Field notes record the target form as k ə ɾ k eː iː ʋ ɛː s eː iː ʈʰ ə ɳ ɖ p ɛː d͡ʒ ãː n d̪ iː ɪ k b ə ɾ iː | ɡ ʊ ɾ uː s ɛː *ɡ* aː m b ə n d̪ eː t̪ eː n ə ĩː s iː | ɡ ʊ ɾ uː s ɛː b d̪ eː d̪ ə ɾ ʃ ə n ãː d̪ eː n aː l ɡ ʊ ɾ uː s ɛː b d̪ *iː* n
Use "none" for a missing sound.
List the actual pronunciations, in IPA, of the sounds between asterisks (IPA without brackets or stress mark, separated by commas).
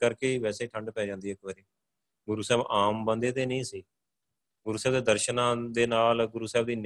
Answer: b, iː